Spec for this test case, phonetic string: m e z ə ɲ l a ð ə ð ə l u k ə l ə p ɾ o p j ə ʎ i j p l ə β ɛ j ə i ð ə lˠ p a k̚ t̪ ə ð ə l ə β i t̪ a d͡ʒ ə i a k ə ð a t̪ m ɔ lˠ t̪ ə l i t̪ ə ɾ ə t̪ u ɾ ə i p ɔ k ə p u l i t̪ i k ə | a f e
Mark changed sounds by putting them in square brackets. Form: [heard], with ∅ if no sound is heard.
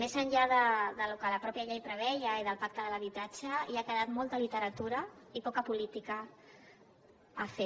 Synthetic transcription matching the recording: m e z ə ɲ [ʎ] a ð ə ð ə l u k ə l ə p ɾ [ɔ] p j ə ʎ [e] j p [ɾ] ə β ɛ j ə i ð ə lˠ p a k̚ t̪ ə ð ə l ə β i t̪ a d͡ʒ ə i a k ə ð a t̪ m ɔ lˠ t̪ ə l i t̪ ə ɾ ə t̪ u ɾ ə i p ɔ k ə p u l i t̪ i k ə | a f e